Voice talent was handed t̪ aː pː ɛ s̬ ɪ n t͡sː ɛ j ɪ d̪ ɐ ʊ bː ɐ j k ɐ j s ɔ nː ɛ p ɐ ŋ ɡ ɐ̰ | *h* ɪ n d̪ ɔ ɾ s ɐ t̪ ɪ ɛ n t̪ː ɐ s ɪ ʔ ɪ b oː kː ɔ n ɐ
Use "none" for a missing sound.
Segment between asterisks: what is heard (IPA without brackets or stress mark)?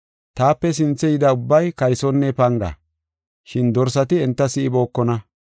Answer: ʃ